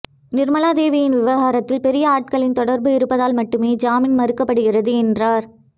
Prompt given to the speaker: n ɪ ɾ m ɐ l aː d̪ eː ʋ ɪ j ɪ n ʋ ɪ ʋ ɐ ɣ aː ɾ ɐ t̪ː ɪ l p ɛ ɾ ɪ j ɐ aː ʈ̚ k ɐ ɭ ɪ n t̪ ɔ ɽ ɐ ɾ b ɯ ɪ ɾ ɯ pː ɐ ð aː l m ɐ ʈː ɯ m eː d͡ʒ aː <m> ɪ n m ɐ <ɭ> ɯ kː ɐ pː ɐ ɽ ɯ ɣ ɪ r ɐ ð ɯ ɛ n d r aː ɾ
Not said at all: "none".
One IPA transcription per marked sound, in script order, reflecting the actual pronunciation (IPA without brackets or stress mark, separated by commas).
m, ɾ